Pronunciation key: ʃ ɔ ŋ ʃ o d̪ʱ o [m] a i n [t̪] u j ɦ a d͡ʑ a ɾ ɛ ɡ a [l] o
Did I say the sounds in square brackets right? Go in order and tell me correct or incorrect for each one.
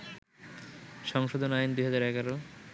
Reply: incorrect, incorrect, incorrect

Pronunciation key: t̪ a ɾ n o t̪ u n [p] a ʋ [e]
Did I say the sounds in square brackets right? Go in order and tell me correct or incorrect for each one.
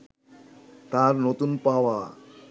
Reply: correct, incorrect

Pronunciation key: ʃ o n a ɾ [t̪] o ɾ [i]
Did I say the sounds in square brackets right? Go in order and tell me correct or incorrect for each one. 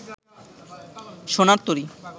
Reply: correct, correct

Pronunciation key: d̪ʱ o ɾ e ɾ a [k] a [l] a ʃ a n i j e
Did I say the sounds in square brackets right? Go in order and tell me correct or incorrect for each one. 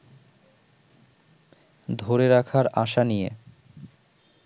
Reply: incorrect, incorrect

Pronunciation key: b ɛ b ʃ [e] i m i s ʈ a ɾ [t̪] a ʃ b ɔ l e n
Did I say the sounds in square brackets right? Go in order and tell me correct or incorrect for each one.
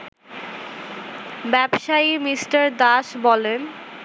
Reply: incorrect, incorrect

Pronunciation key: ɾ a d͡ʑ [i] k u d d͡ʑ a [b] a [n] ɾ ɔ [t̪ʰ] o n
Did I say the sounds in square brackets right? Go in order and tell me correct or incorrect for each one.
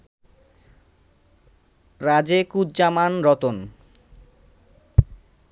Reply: incorrect, incorrect, correct, incorrect

